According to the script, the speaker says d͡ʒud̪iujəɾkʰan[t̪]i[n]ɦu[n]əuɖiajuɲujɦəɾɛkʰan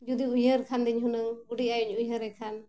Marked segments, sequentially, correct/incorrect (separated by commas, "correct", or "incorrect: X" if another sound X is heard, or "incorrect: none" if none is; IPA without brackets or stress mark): incorrect: d̪, incorrect: ɲ, correct